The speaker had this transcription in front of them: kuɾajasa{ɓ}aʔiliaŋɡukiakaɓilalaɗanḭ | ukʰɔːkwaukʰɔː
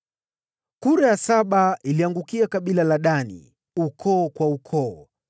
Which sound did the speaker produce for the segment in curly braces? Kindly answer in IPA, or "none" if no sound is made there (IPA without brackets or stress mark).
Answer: ɓ